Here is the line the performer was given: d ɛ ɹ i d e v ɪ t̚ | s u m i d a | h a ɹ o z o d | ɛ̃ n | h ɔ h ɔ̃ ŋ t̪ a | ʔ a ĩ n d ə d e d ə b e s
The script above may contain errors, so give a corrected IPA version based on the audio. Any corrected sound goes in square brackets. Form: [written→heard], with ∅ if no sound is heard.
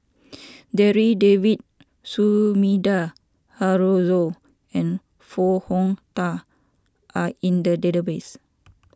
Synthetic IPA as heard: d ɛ ɹ i d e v [ɪ→i] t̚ | s u m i d a | h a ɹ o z o [d→∅] | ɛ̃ n | [h→f] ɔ h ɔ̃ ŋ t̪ a | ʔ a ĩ n d ə d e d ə b e s

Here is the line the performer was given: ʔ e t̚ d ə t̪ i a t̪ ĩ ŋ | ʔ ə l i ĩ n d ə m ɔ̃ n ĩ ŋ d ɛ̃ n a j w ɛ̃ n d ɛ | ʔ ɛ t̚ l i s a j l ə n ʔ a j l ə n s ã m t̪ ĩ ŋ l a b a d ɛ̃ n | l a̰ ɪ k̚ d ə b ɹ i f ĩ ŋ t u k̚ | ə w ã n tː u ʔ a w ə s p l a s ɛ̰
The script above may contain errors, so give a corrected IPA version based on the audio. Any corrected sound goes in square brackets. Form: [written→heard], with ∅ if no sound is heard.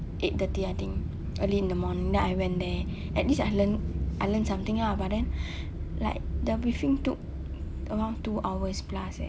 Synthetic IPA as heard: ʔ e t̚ d ə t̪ i a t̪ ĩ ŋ | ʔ ə l i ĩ n d ə m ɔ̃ n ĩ ŋ d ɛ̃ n a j w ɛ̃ n d ɛ | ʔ ɛ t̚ l i s a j l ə n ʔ a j l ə n s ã m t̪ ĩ ŋ l a b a d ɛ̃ n | l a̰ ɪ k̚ d ə b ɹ i f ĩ ŋ t u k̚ | ə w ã n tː u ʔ a w ə s p l a s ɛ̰

